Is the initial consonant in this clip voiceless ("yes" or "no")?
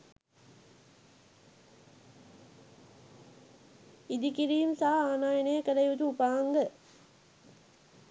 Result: no